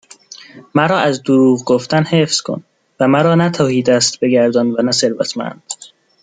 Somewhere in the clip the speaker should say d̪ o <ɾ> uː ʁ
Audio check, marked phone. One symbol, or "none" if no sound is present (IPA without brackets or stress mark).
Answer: ɾ